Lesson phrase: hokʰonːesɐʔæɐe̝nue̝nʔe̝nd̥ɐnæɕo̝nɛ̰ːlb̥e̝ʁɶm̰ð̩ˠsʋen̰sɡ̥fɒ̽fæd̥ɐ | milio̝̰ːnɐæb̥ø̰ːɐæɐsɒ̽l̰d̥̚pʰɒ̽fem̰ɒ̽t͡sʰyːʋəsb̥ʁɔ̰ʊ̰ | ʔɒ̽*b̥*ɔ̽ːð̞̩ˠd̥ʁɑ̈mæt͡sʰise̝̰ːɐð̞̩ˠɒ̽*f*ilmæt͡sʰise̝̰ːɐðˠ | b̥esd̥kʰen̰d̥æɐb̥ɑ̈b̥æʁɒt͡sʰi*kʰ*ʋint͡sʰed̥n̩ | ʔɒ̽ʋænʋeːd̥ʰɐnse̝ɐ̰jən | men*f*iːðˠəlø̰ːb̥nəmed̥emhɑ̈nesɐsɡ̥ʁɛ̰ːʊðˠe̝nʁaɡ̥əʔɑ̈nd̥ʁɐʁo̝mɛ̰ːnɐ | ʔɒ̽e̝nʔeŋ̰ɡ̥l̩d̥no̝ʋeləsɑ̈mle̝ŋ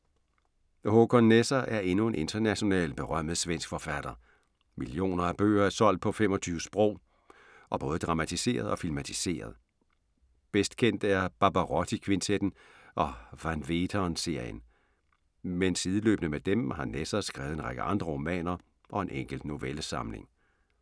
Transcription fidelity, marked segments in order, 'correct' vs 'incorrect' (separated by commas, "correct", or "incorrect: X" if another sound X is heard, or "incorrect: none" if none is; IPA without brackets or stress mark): correct, correct, correct, incorrect: s